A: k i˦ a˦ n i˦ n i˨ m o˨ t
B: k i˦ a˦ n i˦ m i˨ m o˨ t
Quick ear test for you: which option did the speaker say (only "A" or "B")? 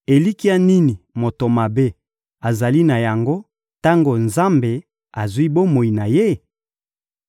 A